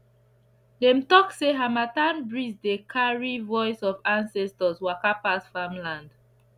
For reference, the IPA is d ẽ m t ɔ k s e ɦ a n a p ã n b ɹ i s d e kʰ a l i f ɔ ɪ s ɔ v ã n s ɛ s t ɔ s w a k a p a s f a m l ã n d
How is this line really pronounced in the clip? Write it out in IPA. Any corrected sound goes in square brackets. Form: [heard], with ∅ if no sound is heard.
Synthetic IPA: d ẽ m t ɔ k s e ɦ a [m] a [t] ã n b ɹ i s d e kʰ a [ɹ] i [v] ɔ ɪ s ɔ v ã n s ɛ s t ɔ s w a k a p a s f a m l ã n d